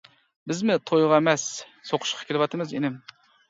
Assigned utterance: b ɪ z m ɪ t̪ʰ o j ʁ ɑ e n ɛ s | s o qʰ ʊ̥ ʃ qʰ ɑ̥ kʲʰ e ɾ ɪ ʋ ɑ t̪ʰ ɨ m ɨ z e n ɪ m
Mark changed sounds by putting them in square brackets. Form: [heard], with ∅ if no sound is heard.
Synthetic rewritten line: b ɪ z m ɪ t̪ʰ o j ʁ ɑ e [m] ɛ s | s o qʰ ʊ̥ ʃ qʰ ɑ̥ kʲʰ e [l] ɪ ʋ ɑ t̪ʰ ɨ m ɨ z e n ɪ m